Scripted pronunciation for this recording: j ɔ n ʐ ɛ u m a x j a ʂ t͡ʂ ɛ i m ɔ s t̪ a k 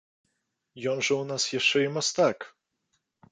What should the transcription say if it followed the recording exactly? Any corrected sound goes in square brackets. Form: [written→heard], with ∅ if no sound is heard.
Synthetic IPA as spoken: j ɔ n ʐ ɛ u [m→n] a [x→s] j [a→ɛ] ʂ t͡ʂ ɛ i m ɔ s t̪ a k